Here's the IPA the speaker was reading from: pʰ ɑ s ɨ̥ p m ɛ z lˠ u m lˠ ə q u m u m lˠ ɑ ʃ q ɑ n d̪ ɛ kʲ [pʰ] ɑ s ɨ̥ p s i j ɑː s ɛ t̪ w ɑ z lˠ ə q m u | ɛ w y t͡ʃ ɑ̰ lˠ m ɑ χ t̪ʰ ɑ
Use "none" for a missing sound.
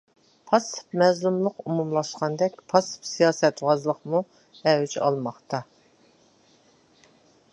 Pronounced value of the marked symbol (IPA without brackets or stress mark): pʰ